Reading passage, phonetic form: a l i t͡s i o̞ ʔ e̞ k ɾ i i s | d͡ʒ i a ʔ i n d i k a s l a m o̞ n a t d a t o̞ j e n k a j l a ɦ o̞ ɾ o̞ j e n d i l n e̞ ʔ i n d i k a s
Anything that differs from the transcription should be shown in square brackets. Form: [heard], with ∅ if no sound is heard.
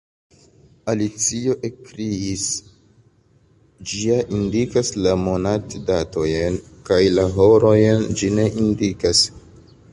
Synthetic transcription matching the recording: a l i t͡s i o̞ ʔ e̞ k ɾ i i s | d͡ʒ i a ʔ i n d i k a s l a m o̞ n a t d a t o̞ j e n k a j l a ɦ o̞ ɾ o̞ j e n [d͡ʒ] i [∅] n e̞ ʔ i n d i k a s